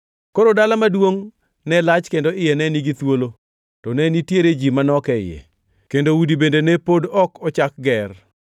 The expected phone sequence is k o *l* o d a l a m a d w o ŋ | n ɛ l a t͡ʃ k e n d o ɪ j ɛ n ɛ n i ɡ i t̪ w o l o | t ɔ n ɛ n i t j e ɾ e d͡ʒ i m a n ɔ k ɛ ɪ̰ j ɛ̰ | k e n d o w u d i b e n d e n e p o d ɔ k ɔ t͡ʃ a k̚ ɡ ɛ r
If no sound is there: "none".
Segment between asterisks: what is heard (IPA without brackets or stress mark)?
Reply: ɾ